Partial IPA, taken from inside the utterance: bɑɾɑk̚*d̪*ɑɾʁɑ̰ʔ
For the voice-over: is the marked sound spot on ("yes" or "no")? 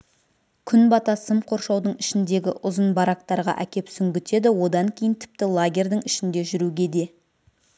no